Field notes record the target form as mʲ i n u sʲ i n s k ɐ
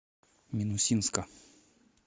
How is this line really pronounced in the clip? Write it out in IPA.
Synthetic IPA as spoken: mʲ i n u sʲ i n s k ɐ